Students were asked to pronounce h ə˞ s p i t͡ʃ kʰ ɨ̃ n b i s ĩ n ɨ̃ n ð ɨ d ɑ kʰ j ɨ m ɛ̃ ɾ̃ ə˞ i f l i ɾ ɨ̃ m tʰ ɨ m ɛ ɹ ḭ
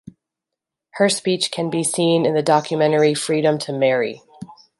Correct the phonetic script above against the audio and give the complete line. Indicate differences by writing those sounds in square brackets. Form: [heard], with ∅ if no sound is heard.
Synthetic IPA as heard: h ə˞ s p i t͡ʃ kʰ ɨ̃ n b i s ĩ n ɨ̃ n ð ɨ d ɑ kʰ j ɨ m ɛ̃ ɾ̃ ə˞ i f [ɹ] i ɾ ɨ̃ m tʰ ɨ m ɛ ɹ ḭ

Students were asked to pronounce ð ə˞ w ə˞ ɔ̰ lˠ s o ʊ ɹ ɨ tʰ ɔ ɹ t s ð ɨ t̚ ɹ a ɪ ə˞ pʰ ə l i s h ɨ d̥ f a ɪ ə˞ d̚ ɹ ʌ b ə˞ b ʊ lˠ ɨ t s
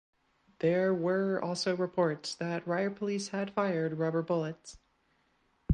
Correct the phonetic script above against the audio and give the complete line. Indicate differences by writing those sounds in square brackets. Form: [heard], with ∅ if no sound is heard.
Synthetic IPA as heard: ð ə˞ w ə˞ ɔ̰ lˠ s o ʊ ɹ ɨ [pʰ] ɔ ɹ t s ð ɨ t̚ ɹ a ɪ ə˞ pʰ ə l i s h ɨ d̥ f a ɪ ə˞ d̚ ɹ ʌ b ə˞ b ʊ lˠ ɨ t s

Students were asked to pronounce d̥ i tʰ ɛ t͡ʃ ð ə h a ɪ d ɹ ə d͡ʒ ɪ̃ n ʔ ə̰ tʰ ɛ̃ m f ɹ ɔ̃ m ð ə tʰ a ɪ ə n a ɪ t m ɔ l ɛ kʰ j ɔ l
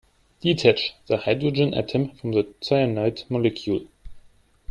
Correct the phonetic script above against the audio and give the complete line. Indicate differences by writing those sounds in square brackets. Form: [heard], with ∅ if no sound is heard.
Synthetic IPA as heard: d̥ i tʰ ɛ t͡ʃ ð ə h a ɪ d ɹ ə d͡ʒ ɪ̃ n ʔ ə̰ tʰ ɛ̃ m f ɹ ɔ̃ m ð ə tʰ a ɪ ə n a ɪ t m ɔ l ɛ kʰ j [u] l

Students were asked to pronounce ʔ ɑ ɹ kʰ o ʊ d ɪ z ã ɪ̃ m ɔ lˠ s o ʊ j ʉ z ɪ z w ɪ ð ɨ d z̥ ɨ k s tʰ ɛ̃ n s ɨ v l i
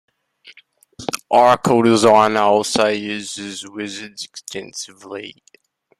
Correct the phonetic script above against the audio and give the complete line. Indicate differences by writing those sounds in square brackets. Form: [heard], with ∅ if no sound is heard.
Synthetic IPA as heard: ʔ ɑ ɹ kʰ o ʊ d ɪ z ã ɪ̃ [n] ɔ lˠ s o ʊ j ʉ z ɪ z w ɪ [z] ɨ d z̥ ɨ k s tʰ ɛ̃ n s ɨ v l i

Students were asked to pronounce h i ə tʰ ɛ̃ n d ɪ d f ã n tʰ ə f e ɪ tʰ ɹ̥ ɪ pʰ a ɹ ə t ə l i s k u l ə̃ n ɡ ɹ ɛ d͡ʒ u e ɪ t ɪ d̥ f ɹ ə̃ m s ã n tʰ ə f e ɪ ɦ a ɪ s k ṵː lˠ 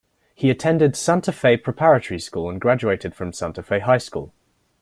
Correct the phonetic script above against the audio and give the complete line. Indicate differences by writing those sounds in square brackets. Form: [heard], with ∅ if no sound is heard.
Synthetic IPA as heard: h i ə tʰ ɛ̃ n d ɪ d [s] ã n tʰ ə f e ɪ [pʰ] ɹ̥ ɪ pʰ a ɹ ə t ə [ɹ] i s k [uː] l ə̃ n ɡ ɹ [a] d͡ʒ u e ɪ t ɪ d̥ f ɹ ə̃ m s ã n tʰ ə f e ɪ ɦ a ɪ s k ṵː lˠ

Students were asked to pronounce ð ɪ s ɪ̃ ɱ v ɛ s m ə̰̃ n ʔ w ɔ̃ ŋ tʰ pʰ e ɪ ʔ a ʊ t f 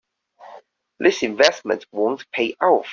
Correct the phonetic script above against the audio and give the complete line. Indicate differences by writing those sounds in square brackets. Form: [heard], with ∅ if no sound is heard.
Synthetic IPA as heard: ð ɪ s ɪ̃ ɱ v ɛ s m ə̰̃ n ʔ w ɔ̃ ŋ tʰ pʰ e ɪ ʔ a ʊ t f

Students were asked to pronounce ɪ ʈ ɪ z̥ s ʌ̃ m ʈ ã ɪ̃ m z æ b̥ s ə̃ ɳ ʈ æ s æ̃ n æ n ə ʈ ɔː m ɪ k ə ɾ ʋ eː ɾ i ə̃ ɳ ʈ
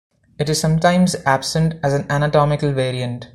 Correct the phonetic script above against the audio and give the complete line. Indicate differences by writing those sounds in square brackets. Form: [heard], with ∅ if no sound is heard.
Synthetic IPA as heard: ɪ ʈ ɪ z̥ s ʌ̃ m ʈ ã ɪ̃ m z æ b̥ s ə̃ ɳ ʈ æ [z] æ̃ n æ n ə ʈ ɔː m ɪ k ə [l] ʋ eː ɾ i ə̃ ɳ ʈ

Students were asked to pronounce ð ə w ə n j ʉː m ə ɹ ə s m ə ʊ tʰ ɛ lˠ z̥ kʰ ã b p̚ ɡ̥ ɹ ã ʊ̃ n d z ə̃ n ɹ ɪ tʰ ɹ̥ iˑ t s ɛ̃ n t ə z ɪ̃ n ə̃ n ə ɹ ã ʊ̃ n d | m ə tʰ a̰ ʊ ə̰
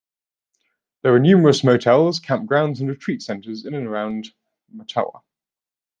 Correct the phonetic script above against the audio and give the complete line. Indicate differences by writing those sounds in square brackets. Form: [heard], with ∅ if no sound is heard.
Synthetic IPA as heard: ð ə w ə n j ʉː m ə ɹ ə s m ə ʊ tʰ ɛ lˠ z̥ kʰ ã [m] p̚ ɡ̥ ɹ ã ʊ̃ n d z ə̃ n ɹ ɪ tʰ ɹ̥ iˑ t s ɛ̃ n t ə z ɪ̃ n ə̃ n ə ɹ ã ʊ̃ n d | m ə tʰ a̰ ʊ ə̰

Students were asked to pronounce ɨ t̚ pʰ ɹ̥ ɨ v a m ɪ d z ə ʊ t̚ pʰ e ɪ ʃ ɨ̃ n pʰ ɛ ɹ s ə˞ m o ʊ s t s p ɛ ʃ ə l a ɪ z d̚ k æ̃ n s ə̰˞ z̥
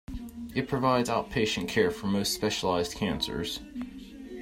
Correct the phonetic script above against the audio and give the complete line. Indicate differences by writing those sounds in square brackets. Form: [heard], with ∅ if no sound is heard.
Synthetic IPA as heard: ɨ t̚ pʰ ɹ̥ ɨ v a [∅] ɪ d z [a] ʊ t̚ pʰ e ɪ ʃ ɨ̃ n [kʰ] ɛ ɹ [f] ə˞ m o ʊ s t s p ɛ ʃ ə l a ɪ z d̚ [kʰ] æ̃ n s ə̰˞ z̥

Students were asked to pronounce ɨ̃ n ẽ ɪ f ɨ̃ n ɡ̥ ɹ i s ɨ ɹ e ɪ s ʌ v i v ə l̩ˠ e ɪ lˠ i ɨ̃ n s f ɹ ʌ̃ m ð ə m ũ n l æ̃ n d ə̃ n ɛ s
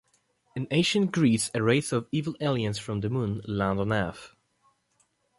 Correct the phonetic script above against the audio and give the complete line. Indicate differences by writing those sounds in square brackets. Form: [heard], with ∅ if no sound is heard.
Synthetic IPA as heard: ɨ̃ n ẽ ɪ [ʃ] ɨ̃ n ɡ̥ ɹ i s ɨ ɹ e ɪ s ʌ v i v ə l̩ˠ e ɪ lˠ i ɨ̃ n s f ɹ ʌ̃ m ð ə m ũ n l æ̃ n d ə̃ n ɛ [f]

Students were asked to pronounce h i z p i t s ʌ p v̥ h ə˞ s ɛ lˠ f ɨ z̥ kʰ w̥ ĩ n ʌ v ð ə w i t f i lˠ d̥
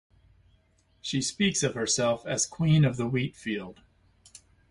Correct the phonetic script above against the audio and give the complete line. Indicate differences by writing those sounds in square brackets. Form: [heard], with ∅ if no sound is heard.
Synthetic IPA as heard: [ʃ] i [s] p i [k] s ʌ [∅] v̥ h ə˞ s ɛ lˠ f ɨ z̥ kʰ w̥ ĩ n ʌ v ð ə w i t f i lˠ d̥

